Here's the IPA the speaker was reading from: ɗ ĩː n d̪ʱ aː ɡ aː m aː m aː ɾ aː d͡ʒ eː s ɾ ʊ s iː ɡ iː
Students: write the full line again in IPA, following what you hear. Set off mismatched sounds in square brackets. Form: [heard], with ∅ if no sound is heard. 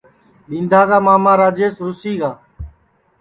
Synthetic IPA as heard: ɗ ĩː n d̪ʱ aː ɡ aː m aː m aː ɾ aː d͡ʒ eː s ɾ ʊ s iː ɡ [aː]